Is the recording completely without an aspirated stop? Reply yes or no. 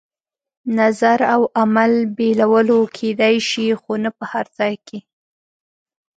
no